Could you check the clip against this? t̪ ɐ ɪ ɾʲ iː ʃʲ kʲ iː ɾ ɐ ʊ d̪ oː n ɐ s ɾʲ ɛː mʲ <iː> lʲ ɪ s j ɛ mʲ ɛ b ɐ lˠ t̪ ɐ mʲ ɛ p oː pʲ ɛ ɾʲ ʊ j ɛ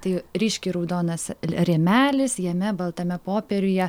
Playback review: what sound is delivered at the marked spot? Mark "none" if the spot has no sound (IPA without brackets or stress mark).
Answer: æː